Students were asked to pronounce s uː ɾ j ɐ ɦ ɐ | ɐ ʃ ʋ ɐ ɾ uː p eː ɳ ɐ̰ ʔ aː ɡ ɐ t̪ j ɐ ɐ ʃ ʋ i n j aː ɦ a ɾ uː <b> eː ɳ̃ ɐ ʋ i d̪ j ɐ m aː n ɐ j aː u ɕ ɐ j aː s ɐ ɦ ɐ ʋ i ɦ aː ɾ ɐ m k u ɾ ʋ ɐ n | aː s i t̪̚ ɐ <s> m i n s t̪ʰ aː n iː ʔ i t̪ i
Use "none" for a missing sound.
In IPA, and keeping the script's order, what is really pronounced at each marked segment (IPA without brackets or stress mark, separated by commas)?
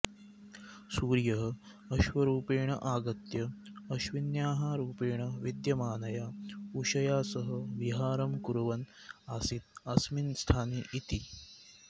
p, s